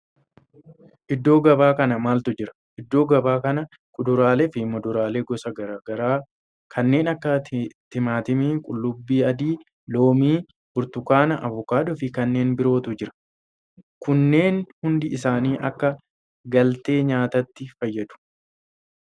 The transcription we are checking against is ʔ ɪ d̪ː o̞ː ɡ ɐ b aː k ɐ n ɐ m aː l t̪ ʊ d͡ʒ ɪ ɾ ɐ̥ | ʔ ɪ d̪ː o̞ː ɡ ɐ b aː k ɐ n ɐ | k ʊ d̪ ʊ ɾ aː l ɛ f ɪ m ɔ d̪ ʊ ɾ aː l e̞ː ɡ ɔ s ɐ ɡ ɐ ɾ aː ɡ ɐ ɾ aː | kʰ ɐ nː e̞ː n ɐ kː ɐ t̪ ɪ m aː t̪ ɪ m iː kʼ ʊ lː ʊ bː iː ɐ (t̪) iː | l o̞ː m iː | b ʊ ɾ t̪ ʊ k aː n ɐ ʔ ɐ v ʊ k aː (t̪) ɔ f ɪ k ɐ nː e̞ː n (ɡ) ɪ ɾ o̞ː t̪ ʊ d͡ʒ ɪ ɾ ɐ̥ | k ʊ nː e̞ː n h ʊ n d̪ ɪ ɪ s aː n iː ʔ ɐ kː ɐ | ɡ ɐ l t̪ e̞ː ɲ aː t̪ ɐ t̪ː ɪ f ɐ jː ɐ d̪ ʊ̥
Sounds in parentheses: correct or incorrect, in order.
incorrect, incorrect, incorrect

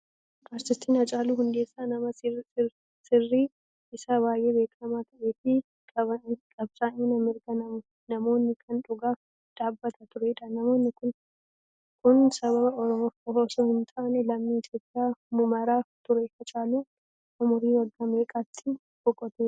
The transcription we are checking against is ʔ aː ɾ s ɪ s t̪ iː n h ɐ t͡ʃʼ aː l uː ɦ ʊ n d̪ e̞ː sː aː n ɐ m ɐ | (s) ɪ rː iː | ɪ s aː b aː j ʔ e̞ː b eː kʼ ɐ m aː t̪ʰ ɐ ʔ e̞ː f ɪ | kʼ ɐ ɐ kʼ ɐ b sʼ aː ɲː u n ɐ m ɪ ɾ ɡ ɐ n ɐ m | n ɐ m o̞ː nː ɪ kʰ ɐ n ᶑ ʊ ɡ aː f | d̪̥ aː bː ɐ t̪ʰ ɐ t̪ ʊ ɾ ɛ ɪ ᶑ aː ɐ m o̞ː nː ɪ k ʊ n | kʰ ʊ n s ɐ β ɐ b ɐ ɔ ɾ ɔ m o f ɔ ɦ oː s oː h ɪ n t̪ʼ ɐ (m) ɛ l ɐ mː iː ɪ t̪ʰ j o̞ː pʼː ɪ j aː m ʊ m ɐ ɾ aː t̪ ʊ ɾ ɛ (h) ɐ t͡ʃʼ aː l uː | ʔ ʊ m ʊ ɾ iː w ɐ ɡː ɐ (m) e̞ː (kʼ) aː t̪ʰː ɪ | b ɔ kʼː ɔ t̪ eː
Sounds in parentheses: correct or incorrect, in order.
correct, incorrect, correct, correct, correct

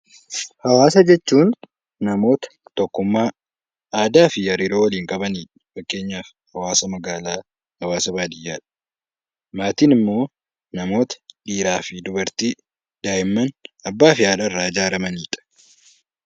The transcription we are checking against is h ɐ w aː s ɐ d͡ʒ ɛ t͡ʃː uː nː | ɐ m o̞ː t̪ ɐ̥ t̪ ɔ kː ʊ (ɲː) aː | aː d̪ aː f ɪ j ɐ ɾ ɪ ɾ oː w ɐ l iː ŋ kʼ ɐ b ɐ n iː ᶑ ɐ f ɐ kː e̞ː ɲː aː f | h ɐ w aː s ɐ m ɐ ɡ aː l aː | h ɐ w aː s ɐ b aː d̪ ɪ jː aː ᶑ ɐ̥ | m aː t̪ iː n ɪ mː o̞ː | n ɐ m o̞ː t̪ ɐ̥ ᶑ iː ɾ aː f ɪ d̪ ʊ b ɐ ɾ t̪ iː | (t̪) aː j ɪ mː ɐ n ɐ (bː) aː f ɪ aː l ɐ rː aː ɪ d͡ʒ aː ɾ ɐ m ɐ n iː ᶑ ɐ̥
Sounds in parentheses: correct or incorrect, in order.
incorrect, incorrect, correct

